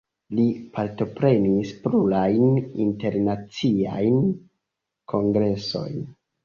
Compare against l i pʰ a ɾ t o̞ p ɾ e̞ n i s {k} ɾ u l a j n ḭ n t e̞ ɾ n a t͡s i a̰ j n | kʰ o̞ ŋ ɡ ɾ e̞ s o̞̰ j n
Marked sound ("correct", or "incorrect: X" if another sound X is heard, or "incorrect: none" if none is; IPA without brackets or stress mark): incorrect: p